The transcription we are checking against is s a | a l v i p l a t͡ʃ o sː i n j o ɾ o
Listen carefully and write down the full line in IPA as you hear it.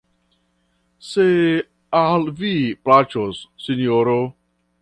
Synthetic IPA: s e | a l v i p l a t͡ʃ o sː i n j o ɾ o